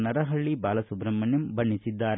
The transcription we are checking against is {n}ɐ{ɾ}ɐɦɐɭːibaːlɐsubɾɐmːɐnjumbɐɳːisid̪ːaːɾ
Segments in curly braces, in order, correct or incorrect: correct, correct

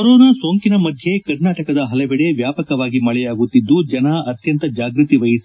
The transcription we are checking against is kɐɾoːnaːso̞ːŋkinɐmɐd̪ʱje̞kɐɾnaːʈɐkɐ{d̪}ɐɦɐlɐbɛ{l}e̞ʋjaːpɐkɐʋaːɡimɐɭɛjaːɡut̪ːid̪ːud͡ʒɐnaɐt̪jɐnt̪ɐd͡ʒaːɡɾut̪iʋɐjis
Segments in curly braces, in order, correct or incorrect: correct, incorrect: ɽ

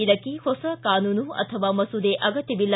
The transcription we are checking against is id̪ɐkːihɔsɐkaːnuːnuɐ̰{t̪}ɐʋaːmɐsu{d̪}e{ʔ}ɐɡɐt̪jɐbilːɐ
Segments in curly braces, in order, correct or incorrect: incorrect: t̪ʰ, correct, correct

